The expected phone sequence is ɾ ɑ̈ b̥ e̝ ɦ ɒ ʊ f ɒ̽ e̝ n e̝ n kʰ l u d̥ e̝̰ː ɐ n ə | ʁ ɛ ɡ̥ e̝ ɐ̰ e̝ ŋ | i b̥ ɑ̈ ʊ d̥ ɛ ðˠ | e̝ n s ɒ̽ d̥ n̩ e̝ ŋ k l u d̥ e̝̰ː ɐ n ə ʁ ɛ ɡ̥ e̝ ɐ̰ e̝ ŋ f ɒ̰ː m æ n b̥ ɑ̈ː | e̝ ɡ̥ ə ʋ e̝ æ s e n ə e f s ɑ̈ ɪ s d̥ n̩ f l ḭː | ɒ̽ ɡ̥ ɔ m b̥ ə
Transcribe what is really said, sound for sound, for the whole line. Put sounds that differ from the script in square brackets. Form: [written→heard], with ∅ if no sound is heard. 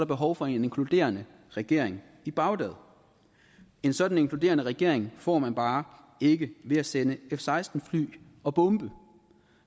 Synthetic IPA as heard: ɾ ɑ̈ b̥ e̝ ɦ ɒ ʊ f ɒ̽ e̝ n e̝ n kʰ l u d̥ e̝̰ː ɐ n ə | ʁ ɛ ɡ̥ e̝ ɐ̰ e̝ ŋ | i b̥ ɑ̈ ʊ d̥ ɛ ðˠ | e̝ n s ɒ̽ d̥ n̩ e̝ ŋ k l u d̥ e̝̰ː ɐ n ə ʁ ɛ ɡ̥ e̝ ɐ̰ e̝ ŋ f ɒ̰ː m æ n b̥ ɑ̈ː | e̝ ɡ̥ ə ʋ e̝ æ s e n ə e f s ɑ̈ ɪ s d̥ n̩ f l [ḭː→y̰ː] | ɒ̽ [ɡ̥→b̥] ɔ m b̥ ə